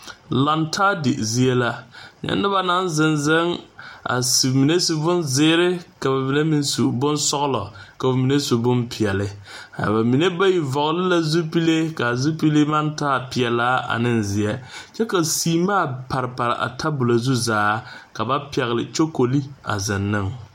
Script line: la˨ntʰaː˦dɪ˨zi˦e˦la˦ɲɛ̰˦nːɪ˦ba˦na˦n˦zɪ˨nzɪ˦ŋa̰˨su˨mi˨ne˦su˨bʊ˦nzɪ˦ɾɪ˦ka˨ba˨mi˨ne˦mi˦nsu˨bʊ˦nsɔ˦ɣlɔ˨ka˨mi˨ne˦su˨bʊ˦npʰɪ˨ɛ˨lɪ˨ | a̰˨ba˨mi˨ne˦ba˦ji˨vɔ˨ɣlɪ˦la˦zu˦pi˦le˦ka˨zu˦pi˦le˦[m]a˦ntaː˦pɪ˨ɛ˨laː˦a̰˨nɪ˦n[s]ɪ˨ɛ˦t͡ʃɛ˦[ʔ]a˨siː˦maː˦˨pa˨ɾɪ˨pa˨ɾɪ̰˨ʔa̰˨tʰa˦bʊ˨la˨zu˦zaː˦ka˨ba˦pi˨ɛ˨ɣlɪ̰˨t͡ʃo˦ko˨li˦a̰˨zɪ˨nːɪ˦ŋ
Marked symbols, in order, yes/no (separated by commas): yes, no, no